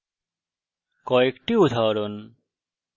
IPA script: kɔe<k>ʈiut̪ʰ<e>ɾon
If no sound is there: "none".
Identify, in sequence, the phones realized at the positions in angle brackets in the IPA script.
k, a

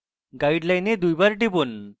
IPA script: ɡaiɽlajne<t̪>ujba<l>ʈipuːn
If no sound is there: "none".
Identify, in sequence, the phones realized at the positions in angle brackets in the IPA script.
d̪, ɾ

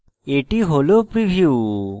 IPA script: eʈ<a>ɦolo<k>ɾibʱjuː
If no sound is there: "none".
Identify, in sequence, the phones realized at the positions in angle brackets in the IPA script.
i, p

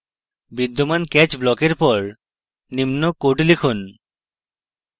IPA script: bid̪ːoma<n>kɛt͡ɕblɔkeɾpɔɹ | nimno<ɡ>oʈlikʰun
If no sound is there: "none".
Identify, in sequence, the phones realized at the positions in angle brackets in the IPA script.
n, k

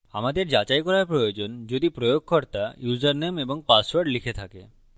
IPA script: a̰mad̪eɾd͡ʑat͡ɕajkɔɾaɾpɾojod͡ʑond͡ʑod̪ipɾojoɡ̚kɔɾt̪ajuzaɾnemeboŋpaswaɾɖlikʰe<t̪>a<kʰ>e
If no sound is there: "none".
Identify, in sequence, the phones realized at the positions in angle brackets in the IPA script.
t̪ʰ, k

